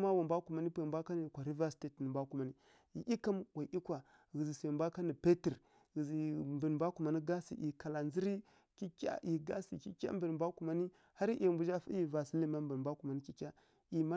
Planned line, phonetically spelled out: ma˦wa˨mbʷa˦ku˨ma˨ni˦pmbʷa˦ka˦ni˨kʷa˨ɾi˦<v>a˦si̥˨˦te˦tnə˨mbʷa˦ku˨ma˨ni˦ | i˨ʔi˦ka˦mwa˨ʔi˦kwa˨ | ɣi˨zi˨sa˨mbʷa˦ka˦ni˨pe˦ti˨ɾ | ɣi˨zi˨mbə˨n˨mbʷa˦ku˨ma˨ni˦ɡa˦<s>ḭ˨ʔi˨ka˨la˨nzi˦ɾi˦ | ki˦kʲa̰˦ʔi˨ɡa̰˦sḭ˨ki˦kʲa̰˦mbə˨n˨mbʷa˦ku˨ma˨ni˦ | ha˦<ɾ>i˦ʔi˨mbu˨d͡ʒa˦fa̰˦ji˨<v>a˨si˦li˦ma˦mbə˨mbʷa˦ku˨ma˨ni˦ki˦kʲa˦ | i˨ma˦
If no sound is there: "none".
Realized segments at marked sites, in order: v, s, ɾ, v

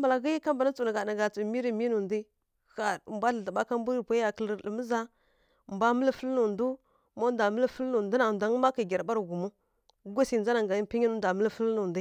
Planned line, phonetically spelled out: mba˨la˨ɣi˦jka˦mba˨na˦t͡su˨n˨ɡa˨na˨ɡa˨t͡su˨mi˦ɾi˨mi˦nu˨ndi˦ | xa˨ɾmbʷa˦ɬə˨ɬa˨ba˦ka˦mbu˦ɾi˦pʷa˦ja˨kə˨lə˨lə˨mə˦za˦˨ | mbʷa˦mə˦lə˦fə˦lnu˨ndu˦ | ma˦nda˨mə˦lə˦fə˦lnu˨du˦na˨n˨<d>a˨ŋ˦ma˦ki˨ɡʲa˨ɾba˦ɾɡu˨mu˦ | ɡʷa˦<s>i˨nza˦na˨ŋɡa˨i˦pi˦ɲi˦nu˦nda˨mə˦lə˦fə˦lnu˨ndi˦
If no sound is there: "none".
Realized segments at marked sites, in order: d, s

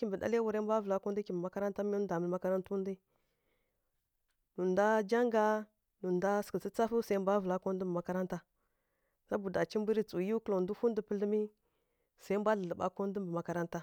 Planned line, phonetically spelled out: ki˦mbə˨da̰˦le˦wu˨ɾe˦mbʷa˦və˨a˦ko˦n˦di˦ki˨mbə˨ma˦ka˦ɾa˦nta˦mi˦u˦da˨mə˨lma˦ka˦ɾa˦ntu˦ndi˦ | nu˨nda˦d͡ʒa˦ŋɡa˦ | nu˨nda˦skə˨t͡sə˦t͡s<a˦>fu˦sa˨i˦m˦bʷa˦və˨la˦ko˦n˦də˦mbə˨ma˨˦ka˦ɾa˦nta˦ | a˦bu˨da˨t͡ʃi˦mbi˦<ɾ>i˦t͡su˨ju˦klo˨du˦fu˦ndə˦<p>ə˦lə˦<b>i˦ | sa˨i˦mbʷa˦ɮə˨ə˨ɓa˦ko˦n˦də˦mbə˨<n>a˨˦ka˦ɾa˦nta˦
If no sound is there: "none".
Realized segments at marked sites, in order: a˦, ɾ, p, m, m

